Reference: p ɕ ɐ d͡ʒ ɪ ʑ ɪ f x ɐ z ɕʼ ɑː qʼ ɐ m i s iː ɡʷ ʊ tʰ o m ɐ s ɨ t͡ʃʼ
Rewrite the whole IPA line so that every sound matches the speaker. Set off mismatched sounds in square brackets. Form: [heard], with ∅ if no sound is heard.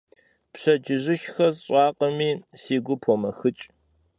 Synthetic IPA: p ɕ ɐ d͡ʒ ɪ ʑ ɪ [ʃ] x ɐ z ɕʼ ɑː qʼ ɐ m [iː] s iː ɡʷ ʊ [pʰ] o m ɐ [x] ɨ t͡ʃʼ